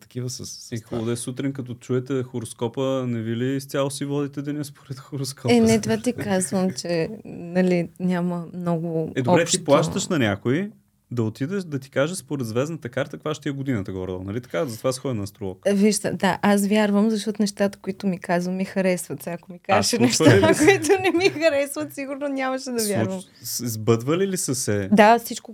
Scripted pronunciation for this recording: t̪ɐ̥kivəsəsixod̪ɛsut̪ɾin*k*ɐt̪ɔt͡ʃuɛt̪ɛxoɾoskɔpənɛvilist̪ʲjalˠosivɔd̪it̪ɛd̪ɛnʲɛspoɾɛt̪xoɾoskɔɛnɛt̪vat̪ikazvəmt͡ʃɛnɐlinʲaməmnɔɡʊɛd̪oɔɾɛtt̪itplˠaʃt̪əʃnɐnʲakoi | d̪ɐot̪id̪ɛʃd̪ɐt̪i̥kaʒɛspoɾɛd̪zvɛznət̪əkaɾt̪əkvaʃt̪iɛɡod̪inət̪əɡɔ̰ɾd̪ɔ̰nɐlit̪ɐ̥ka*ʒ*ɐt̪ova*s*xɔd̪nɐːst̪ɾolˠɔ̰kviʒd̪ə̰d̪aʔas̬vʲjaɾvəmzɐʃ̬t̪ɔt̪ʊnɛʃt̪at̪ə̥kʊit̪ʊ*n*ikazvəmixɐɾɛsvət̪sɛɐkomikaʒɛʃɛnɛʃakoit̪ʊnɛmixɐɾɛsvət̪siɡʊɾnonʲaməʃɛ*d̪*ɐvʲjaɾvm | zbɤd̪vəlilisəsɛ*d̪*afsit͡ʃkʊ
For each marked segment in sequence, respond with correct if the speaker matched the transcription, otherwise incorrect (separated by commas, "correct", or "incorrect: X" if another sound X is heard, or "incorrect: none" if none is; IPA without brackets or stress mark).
correct, incorrect: z, correct, incorrect: m, correct, correct